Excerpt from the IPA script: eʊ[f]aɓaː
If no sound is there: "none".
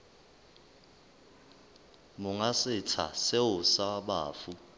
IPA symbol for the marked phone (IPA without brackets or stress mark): s